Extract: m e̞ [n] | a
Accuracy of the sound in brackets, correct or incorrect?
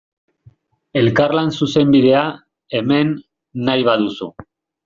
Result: incorrect